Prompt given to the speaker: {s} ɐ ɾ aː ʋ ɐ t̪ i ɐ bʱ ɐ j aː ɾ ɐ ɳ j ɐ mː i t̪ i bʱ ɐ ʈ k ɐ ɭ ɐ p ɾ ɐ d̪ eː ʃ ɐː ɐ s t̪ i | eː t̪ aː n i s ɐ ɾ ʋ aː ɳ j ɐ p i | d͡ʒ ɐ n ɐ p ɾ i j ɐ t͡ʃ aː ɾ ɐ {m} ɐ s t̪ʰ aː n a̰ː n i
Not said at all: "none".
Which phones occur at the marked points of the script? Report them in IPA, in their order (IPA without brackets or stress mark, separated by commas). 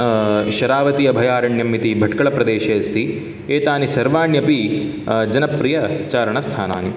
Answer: ʃ, ɳ